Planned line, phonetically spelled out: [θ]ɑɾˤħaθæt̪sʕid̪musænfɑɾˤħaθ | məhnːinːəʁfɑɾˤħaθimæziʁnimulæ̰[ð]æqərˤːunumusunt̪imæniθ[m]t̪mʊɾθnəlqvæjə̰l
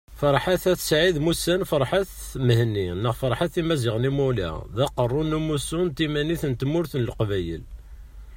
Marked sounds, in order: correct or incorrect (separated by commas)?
incorrect, correct, incorrect